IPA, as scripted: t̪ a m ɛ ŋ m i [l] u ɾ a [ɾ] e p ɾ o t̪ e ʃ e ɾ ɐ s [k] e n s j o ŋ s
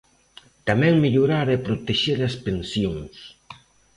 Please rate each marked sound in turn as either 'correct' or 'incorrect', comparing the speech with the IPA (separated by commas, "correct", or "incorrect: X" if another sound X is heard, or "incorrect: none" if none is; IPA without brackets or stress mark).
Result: incorrect: ʎ, correct, incorrect: p